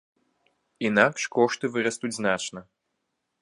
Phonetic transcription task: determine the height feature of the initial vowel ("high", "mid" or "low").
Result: high